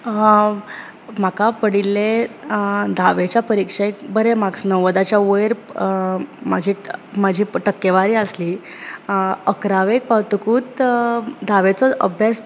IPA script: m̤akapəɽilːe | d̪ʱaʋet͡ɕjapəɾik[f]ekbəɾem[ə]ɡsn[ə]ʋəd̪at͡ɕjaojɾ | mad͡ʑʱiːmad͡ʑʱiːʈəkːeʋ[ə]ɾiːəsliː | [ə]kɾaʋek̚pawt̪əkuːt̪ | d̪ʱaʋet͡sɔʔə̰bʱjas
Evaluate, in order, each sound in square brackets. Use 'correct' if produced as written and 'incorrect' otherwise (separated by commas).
incorrect, incorrect, correct, incorrect, correct